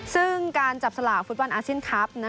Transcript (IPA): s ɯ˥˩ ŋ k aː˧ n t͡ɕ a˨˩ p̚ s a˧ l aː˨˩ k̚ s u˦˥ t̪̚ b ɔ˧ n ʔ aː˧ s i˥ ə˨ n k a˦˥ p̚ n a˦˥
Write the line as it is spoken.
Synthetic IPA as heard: s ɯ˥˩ ŋ k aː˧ n t͡ɕ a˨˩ p̚ s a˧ l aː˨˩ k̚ f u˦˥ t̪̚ b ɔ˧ n ʔ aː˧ s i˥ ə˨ n kʰ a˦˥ p̚ n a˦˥